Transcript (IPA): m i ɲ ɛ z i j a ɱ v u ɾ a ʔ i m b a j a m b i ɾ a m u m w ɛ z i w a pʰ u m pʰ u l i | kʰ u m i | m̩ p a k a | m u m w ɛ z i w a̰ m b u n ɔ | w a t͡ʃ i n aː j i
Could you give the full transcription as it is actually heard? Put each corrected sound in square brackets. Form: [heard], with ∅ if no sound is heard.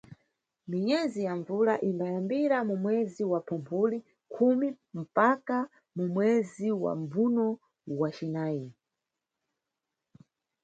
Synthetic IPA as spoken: m i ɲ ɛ z i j a ɱ v u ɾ a ʔ i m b a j a m b i ɾ a m u m w ɛ z i w a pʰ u m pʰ u l i | kʰ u m i | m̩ p a k a | m u m w ɛ z i w a̰ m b u n ɔ | w a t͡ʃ i n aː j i